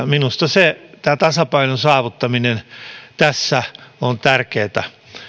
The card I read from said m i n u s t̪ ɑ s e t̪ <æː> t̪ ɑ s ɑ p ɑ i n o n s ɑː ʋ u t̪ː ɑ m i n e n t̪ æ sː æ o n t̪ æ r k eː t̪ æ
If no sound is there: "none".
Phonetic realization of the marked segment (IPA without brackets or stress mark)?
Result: æː